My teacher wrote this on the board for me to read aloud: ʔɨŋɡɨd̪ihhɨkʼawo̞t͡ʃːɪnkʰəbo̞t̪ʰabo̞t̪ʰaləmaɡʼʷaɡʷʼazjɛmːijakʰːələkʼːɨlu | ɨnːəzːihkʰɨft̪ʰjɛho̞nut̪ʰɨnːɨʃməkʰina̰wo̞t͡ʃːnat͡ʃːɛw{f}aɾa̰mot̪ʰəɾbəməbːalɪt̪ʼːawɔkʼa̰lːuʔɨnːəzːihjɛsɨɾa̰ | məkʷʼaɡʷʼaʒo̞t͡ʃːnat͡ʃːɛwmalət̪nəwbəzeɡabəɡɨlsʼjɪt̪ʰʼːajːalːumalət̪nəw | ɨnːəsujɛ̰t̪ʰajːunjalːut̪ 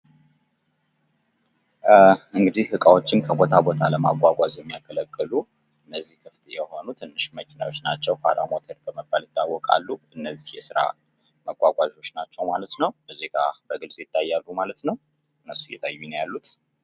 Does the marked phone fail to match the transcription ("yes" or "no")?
no